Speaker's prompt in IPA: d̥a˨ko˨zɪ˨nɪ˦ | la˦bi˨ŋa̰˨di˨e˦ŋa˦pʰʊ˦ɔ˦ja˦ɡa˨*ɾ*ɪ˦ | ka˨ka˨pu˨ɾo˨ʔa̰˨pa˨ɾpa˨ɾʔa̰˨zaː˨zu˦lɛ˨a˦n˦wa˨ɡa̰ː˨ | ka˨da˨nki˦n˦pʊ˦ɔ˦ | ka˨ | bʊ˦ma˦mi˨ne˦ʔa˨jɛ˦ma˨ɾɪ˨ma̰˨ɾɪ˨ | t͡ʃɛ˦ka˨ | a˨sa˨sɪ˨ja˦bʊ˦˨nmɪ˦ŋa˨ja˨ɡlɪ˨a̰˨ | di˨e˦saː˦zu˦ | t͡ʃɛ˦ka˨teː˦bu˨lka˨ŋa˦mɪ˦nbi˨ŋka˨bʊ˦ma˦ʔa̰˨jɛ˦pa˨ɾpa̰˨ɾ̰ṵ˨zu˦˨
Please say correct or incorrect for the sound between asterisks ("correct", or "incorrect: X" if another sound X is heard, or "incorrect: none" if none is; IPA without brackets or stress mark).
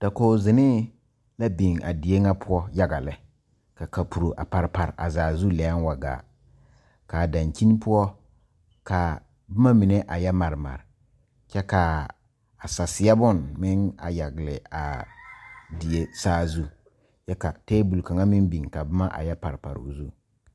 incorrect: l